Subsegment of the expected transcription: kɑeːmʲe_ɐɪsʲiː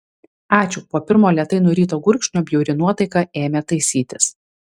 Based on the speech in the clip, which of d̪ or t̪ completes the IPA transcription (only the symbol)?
t̪